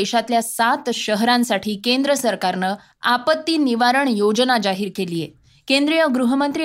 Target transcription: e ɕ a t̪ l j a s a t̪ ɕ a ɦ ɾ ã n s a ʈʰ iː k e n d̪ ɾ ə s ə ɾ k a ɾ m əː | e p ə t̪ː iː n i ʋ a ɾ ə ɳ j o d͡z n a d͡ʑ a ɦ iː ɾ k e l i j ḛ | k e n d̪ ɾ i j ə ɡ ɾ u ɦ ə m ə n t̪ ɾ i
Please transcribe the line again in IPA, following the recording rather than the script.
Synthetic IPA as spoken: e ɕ a t̪ l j a s a t̪ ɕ ə ɦ ɾ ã n s a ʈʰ iː k e n d̪ ɾ ə s ə ɾ k a ɾ n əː | a p ə t̪ː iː n i ʋ a ɾ ə ɳ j o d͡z n a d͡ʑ a ɦ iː ɾ k e l i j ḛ | k e n d̪ ɾ i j ə ɡ ɾ u ɦ ə m ə n t̪ ɾ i